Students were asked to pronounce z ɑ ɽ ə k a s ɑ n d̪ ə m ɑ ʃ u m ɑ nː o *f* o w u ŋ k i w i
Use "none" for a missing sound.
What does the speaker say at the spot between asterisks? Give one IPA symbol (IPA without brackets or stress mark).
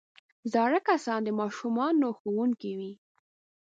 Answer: x